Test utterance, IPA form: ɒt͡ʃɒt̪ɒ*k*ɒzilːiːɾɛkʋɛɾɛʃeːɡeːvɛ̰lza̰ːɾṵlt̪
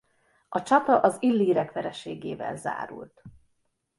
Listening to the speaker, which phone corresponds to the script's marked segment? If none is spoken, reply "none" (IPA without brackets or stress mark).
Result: ʔ